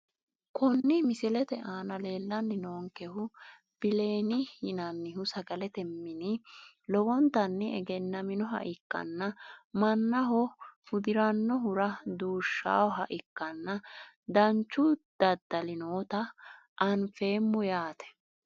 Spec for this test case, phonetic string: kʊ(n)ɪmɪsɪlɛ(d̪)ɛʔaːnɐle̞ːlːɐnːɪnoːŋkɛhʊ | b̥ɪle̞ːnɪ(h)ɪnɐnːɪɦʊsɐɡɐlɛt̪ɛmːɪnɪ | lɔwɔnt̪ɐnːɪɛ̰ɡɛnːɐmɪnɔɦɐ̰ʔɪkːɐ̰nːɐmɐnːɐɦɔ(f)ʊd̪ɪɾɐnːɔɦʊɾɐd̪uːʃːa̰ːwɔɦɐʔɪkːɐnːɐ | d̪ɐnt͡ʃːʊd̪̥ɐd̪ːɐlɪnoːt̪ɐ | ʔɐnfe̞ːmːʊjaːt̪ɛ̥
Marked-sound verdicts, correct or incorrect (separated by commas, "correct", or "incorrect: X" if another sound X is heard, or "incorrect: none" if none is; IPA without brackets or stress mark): incorrect: nː, incorrect: t̪, correct, correct